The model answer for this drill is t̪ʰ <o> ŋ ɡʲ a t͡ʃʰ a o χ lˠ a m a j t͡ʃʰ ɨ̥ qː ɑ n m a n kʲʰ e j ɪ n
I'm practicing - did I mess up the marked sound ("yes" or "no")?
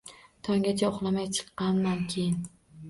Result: yes